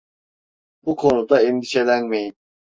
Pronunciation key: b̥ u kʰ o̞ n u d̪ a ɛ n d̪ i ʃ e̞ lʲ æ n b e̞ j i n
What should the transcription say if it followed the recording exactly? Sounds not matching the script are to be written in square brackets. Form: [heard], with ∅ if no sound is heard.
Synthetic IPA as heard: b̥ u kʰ o̞ n u d̪ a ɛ n d̪ i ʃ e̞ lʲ æ n [m] e̞ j i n